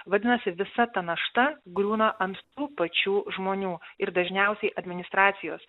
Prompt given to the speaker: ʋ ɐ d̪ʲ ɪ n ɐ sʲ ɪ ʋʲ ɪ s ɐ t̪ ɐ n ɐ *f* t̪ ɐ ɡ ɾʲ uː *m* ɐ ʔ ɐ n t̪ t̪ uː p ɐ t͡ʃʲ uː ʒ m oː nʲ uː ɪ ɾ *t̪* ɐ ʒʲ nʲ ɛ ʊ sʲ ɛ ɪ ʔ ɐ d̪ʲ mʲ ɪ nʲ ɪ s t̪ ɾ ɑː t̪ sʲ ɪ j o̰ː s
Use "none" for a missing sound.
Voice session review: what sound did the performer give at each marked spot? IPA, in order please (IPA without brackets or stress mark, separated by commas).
ʃ, n, d̪